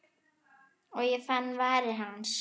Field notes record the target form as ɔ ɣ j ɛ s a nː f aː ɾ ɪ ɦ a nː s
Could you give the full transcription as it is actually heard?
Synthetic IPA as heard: ɔ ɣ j ɛ f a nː v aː ɾ ɪ ɦ a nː s

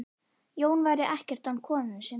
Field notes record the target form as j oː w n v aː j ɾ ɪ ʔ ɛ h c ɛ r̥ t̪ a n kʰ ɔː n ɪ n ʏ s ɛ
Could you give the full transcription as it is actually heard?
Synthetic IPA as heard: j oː w n v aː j ɾ ɪ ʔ ɛ h c ɛ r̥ t̪ a n kʰ ɔː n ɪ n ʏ s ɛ

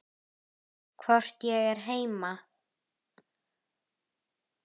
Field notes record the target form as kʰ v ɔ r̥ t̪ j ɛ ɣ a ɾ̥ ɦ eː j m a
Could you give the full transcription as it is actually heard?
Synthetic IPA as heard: kʰ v ɔ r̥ t̪ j ɛ ɣ ɛ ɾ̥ ɦ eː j m a

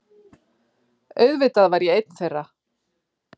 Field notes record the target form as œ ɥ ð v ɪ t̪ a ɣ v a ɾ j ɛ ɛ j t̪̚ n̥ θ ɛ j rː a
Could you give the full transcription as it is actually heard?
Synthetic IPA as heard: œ ɥ ð v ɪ t̪ a ð v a ɾ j ɛ e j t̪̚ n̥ θ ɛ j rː a

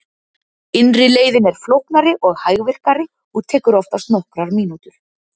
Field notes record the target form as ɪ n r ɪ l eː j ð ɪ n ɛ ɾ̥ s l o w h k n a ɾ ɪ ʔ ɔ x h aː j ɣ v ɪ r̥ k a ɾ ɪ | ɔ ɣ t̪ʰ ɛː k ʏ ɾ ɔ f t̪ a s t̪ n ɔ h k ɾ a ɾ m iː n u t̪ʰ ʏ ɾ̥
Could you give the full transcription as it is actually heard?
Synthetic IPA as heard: ɪ n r ɪ l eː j ð ɪ n ɛ ɾ̥ f l o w h k n a ɾ ɪ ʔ ɔ ɣ h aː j ɣ v ɪ r̥ k a ɾ ɪ | ɔ ɣ t̪ʰ ɛː k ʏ ɾ ɔ f t̪ a s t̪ n ɔ h k ɾ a ɾ m iː n u t̪ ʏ ɾ̥

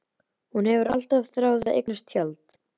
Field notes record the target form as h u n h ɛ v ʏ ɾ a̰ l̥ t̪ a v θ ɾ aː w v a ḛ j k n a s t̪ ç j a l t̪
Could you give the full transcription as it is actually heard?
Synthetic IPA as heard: h u n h ɛ v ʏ ɾ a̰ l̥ t̪ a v θ ɾ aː w ð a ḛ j k n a s t̪ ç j a l t̪

